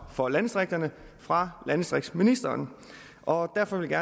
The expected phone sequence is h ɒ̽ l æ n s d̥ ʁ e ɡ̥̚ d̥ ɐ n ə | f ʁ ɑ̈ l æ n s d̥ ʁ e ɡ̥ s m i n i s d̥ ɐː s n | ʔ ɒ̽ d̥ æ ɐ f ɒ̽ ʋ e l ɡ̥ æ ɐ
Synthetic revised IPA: f ɒ̽ l æ n s d̥ ʁ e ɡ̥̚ d̥ ɐ n ə | f ʁ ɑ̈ l æ n s d̥ ʁ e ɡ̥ s m i n i s d̥ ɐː n | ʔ ɒ̽ d̥ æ ɐ f ɒ̽ ʋ e l ɡ̥ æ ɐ